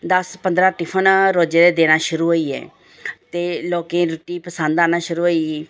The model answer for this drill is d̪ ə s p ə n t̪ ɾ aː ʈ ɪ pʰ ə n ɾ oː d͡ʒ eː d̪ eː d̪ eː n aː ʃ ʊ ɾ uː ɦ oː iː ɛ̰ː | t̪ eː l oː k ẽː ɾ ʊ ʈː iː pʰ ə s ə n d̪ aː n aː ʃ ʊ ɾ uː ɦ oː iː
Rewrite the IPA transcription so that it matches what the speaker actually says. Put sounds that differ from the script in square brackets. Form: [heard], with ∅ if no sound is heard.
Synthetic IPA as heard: d̪ ə s p ə n [d̪] ɾ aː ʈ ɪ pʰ ə n ɾ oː d͡ʒ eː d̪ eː d̪ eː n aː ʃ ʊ ɾ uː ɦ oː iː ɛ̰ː | t̪ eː l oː k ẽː ɾ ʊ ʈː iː [p] ə s ə n d̪ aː n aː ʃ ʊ ɾ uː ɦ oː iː